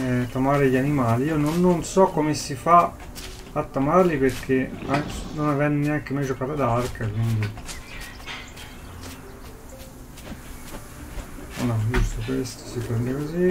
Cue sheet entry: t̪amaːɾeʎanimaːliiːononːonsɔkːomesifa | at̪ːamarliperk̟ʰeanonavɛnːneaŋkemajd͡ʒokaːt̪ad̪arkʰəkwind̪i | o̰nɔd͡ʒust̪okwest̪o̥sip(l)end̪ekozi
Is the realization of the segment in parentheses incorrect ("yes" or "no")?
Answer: yes